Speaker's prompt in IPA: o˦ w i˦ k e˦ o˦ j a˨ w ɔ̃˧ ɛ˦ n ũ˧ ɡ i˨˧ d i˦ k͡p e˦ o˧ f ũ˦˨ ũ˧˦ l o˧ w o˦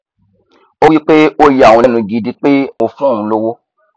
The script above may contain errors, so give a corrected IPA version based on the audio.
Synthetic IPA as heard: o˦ w i˦ k͡p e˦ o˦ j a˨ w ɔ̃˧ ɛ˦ n ũ˧ ɡ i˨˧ d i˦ k͡p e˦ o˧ f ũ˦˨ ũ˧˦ l o˧ w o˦